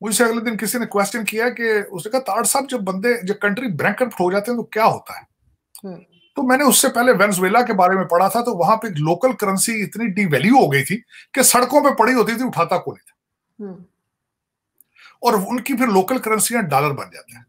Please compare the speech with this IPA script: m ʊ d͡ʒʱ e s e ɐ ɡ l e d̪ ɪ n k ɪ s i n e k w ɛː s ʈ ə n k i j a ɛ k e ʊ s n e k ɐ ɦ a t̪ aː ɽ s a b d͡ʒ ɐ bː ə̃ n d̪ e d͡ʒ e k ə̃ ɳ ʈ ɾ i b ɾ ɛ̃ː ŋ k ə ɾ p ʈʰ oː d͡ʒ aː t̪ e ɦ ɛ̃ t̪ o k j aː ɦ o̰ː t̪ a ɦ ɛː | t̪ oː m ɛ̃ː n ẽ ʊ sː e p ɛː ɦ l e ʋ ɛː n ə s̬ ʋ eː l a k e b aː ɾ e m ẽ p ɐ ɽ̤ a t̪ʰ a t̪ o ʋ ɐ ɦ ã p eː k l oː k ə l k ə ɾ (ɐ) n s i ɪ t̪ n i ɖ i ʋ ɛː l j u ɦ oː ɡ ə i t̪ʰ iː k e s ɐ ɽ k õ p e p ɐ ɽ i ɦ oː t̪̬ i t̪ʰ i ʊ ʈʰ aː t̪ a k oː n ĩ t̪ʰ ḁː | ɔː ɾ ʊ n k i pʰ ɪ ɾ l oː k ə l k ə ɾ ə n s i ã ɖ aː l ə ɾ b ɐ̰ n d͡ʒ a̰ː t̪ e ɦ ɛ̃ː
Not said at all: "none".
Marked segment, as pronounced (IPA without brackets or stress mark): ə